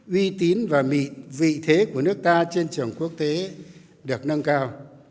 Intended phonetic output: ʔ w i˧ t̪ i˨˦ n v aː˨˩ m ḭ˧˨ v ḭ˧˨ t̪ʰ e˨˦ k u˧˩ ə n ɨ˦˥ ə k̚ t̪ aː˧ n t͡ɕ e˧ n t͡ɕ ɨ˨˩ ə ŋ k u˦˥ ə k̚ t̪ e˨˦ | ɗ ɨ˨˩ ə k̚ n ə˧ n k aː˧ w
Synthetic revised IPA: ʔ w i˧ t̪ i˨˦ n v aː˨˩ m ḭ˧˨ v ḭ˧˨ t̪ʰ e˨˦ k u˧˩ ə n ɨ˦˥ ə k̚ t̪ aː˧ t͡ɕ e˧ n t͡ɕ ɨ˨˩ ə ŋ k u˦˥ ə k̚ t̪ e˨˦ | ɗ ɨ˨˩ ə k̚ n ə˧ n k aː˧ w